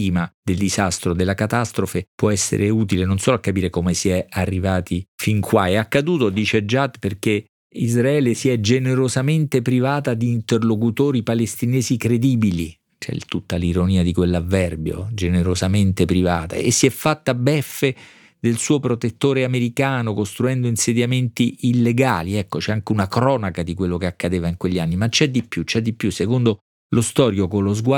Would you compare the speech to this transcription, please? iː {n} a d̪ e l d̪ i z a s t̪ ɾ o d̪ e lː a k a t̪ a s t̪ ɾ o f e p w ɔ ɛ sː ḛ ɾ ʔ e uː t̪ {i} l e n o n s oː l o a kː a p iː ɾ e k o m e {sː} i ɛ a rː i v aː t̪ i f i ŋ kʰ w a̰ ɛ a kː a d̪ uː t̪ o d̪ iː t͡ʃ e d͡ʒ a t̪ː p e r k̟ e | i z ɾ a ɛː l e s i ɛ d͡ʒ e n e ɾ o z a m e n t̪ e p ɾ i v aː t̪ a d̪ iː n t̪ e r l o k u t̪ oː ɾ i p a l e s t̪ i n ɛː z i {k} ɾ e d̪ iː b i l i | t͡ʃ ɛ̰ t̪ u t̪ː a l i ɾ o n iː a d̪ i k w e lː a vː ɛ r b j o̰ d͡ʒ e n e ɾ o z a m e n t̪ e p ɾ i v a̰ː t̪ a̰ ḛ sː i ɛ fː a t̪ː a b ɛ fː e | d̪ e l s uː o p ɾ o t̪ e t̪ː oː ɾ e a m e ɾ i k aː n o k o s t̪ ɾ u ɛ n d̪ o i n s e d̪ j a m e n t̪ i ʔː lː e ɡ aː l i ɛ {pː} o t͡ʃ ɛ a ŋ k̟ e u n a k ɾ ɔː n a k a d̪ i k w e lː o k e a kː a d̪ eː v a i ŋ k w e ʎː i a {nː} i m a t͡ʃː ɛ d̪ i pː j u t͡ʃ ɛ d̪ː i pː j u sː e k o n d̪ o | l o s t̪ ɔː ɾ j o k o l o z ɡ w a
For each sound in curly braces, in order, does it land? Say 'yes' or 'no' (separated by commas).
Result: no, yes, no, yes, no, yes